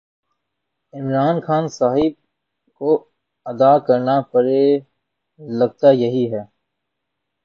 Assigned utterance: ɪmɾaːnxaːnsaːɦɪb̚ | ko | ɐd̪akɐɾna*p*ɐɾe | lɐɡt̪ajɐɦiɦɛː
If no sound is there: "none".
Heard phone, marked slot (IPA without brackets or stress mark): p